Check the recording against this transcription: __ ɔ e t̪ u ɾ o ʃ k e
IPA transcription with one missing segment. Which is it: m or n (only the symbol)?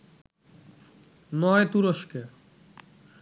n